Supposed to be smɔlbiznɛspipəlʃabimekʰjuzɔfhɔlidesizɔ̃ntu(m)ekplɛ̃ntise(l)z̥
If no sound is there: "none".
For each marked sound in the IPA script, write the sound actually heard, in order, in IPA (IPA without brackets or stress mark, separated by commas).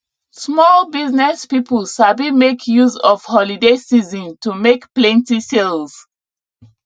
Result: m, l